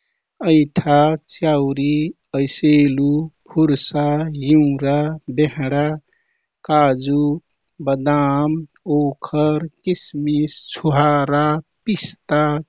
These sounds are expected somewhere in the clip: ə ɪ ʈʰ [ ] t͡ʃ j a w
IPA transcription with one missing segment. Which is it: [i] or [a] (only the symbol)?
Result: a